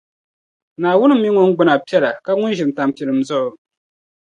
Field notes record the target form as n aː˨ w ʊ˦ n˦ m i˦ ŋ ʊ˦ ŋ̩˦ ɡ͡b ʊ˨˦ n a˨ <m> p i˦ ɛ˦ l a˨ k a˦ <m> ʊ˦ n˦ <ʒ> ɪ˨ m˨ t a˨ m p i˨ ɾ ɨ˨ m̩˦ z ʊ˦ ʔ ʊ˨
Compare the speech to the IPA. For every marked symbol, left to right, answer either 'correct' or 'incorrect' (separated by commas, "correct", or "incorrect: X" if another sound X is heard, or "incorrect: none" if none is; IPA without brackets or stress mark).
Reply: incorrect: none, incorrect: ŋ, correct